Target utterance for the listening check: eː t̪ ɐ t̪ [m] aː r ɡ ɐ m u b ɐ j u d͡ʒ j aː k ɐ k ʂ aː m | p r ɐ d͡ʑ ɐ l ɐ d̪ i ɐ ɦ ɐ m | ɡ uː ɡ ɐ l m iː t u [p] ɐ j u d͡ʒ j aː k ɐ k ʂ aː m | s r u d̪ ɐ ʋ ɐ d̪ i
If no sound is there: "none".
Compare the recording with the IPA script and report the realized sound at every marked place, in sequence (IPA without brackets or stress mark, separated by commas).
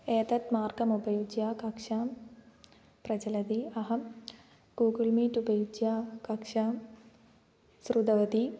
m, b